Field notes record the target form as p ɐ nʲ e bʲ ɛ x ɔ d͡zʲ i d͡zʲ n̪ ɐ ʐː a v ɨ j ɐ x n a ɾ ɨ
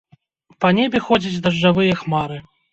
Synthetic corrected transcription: p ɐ nʲ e bʲ ɛ x ɔ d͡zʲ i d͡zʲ d̪ ɐ ʐː a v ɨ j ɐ x m a ɾ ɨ